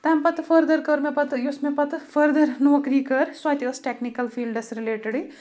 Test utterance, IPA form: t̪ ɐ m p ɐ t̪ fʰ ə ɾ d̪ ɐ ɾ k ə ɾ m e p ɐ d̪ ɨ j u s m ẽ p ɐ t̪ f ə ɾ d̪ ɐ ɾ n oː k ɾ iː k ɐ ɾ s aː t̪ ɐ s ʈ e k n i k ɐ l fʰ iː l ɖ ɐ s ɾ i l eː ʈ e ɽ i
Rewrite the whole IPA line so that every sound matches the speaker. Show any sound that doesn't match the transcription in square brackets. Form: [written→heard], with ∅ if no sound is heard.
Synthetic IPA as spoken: t̪ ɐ m p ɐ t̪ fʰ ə ɾ d̪ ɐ ɾ k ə ɾ m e p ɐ [d̪→t̪] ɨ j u s m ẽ p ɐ t̪ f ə ɾ d̪ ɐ ɾ n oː k ɾ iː k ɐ ɾ s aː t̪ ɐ s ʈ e k n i k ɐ l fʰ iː l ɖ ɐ s ɾ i l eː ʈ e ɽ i